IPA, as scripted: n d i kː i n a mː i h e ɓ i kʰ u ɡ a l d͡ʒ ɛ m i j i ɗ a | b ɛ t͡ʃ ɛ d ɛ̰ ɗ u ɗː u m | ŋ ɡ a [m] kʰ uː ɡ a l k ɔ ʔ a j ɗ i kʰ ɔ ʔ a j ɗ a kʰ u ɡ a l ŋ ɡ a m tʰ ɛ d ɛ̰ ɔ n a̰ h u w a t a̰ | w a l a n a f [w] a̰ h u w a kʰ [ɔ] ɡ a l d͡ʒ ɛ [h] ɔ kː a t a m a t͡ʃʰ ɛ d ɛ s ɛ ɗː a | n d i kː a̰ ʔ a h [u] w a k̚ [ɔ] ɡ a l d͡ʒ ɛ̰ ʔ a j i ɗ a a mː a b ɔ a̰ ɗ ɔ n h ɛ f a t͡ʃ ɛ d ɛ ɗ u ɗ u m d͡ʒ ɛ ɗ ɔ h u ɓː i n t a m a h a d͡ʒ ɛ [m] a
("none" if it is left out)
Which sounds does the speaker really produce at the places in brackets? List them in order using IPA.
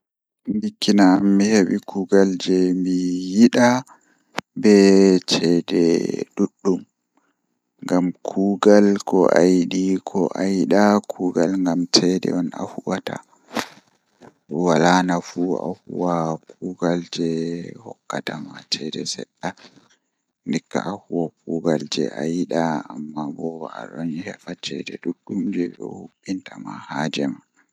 m, u, u, h, u, u, m

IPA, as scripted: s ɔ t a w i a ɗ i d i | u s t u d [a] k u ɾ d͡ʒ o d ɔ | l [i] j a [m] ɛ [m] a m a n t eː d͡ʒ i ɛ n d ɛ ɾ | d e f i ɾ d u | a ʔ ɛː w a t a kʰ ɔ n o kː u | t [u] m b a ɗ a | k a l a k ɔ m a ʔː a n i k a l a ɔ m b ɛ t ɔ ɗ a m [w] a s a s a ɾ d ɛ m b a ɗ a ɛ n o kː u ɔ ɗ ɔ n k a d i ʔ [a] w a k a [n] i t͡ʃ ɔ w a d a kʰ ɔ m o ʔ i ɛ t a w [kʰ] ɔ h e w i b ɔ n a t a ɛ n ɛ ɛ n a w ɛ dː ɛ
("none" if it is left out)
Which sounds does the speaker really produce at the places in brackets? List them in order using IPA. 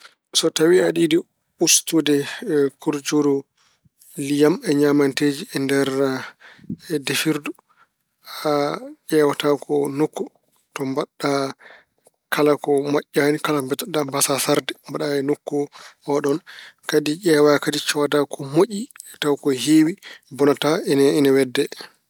ɛ, i, m, ɲ, ɔ, b, ɛ, d, k

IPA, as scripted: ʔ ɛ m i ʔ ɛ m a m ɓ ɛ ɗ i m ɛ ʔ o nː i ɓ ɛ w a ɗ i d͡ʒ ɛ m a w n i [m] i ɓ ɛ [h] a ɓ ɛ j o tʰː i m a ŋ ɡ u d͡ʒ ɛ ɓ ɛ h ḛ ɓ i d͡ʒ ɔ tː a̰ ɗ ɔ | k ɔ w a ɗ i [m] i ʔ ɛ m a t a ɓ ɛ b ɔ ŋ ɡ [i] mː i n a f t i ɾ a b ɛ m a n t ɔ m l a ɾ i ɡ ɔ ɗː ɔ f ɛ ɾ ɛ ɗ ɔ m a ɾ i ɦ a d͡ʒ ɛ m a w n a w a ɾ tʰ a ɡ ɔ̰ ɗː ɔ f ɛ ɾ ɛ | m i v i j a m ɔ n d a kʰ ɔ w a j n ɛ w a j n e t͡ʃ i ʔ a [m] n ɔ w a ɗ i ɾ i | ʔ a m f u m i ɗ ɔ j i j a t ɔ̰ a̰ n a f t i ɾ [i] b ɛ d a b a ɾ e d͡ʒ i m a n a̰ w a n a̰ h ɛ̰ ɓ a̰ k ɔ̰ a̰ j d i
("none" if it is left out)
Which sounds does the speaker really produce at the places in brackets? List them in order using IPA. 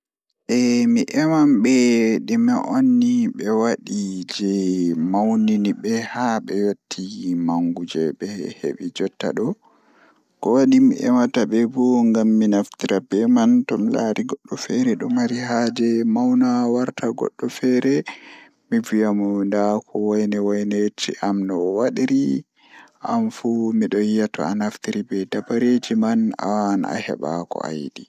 n, h, m, a, m, i

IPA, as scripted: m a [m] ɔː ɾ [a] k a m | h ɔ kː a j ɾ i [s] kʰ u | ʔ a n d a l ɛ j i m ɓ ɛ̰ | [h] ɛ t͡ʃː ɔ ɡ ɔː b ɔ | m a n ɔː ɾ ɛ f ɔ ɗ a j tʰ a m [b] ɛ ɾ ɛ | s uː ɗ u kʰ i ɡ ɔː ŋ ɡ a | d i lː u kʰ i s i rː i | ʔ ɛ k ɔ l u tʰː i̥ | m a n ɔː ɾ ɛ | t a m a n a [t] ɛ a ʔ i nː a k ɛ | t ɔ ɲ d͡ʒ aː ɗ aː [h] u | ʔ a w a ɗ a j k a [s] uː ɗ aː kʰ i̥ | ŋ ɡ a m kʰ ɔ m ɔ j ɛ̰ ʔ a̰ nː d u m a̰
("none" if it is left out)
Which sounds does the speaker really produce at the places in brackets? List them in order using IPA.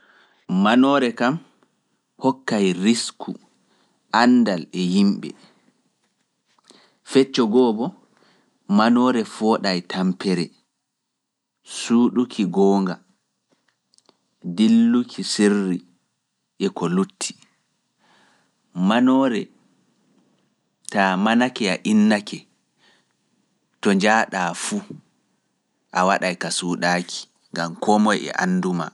n, ɛ, s, f, p, k, f, s

